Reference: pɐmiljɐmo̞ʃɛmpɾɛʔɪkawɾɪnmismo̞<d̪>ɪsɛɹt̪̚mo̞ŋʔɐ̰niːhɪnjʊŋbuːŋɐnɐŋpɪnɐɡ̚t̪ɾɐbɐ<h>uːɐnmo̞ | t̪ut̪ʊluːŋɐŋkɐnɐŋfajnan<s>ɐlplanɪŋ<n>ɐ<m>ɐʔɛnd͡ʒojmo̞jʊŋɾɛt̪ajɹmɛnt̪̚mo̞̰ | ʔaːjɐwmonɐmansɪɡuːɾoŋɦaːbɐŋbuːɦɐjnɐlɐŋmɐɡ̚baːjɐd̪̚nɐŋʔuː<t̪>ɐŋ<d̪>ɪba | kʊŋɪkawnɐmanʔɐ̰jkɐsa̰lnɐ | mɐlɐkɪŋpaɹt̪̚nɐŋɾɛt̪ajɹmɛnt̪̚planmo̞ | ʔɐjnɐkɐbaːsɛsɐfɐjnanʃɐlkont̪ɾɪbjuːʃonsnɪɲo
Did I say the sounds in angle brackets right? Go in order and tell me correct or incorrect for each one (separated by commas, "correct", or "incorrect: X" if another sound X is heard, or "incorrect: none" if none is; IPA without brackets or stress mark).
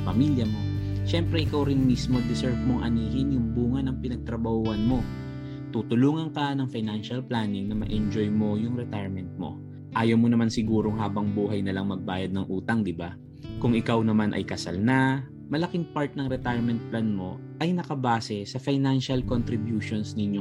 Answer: correct, correct, incorrect: ʃ, correct, correct, correct, correct